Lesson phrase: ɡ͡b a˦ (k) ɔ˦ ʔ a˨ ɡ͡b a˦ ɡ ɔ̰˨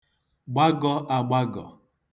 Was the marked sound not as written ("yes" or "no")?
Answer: yes